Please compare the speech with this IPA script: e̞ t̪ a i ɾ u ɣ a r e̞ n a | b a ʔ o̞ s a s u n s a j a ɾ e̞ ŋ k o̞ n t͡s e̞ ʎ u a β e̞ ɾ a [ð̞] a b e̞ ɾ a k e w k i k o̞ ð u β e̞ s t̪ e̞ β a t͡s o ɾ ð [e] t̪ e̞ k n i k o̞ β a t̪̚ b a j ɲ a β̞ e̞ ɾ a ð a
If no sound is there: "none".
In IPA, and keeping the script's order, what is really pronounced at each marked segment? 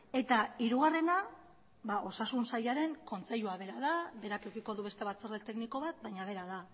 ð̞, e

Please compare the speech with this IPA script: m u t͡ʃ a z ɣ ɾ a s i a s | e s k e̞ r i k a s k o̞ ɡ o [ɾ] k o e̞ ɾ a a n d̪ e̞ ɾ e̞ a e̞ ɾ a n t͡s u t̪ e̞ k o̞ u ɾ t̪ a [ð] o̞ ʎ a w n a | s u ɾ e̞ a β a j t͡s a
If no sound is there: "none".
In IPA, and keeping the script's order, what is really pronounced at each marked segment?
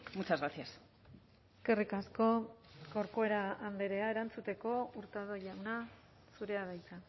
ɾ, ð

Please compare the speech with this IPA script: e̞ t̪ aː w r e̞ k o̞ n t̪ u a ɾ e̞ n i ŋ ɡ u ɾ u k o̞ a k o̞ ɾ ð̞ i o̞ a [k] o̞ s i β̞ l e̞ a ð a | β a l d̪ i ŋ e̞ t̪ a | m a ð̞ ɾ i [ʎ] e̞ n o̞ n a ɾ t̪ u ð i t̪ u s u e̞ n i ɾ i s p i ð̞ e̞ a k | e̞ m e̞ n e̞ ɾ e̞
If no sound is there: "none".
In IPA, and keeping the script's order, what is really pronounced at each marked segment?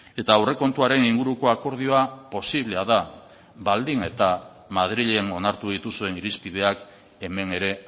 p, ʎ

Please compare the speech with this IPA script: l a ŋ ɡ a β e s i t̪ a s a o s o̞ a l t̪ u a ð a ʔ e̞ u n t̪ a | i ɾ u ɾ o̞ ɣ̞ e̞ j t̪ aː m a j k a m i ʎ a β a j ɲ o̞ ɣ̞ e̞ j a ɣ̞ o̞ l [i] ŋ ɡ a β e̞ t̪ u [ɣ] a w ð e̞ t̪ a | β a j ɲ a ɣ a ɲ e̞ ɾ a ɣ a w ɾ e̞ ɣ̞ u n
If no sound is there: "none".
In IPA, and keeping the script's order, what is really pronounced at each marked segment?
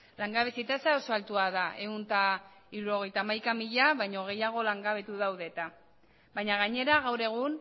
a, ð

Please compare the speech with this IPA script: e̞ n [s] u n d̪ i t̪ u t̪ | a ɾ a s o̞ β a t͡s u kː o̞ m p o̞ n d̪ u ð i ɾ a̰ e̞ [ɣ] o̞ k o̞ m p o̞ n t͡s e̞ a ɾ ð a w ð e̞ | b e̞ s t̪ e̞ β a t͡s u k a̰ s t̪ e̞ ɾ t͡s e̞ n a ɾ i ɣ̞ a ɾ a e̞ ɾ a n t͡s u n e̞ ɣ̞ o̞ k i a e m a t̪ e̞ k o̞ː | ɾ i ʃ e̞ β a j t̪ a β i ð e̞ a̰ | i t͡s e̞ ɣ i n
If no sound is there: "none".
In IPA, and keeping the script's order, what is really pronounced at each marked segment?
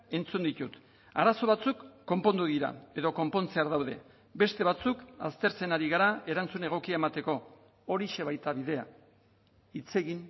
t͡s, ð

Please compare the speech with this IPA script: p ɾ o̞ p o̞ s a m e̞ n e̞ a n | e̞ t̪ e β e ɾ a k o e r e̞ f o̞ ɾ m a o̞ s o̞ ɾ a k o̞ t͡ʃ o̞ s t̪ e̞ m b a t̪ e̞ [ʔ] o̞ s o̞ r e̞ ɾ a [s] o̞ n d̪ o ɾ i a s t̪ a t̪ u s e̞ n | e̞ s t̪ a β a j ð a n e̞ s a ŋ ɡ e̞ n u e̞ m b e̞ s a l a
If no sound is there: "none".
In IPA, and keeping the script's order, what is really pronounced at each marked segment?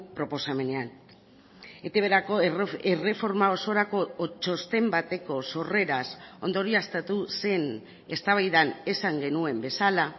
k, s

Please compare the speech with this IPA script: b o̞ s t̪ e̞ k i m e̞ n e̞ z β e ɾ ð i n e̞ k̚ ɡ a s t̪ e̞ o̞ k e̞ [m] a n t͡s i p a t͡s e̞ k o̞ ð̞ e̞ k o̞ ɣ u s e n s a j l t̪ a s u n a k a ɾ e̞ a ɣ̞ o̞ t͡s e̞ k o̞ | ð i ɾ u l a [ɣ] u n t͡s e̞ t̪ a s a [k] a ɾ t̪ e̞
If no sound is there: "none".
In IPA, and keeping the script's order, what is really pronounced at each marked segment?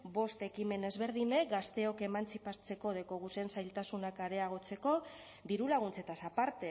m, ɣ, p

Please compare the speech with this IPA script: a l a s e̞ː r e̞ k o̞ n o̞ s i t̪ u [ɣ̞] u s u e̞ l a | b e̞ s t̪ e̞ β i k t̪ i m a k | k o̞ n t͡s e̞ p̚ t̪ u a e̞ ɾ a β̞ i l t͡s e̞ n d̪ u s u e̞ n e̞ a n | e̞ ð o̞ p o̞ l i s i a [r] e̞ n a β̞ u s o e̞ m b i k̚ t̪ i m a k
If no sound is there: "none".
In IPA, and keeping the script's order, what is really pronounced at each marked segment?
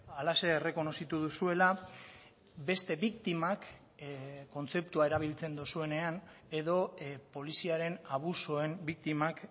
ð̞, ɾ

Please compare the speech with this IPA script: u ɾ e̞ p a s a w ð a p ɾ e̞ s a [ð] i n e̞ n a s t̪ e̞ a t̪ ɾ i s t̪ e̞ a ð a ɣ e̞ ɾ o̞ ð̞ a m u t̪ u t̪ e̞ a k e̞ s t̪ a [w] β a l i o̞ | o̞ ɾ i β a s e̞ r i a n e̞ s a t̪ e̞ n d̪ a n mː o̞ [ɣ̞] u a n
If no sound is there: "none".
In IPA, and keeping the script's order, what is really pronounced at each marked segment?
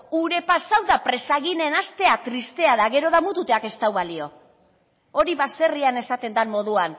ɣ, w, ð̞

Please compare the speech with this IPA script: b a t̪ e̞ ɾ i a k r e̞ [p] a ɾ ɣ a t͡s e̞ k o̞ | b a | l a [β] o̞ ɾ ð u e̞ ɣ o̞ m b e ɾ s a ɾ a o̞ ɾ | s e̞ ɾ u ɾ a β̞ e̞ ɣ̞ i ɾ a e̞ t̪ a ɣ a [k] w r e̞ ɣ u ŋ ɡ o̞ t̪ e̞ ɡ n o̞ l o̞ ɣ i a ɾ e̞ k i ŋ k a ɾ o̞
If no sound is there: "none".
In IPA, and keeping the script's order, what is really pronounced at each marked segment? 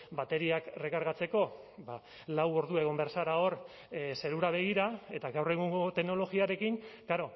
k, w, none

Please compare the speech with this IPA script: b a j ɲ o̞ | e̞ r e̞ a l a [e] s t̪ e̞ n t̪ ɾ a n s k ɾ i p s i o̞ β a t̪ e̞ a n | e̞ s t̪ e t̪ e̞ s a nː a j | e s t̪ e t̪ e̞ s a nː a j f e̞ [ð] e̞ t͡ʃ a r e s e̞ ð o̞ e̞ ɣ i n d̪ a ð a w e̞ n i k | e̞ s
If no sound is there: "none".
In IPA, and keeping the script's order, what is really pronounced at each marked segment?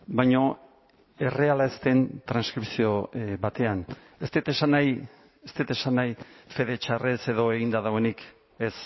e, ð

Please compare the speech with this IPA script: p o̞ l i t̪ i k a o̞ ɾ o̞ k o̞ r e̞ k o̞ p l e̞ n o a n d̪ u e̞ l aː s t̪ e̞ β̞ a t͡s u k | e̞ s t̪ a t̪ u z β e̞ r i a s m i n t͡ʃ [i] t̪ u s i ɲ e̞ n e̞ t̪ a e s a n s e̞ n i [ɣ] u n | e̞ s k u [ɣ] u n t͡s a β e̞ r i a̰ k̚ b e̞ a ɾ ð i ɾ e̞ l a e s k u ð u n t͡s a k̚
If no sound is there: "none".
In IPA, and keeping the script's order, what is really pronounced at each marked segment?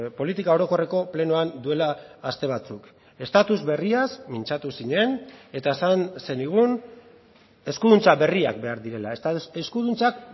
a, ɣ, ð

